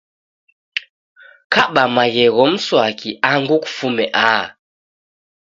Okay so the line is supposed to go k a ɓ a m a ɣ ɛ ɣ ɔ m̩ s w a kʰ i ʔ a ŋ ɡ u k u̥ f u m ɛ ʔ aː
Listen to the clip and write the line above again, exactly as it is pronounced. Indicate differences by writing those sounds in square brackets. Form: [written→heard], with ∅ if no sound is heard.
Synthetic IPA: k a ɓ a m a ɣ ɛ ɣ ɔ m̩ s w a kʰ i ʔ a ŋ ɡ u k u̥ f u m ɛ ʔ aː